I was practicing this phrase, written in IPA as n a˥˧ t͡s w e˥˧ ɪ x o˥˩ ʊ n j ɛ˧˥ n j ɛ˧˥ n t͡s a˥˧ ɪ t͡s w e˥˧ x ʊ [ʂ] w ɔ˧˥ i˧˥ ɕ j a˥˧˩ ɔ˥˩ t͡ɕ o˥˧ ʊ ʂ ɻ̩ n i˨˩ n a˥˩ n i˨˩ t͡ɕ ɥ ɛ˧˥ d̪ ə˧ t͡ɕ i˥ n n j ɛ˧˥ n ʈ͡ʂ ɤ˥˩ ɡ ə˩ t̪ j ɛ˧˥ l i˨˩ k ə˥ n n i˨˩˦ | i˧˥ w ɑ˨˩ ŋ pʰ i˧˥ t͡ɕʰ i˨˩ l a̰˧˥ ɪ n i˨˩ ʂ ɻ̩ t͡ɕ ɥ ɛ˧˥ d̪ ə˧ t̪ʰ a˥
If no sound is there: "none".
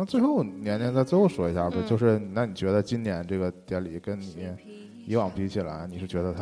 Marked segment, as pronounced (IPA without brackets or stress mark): ʂ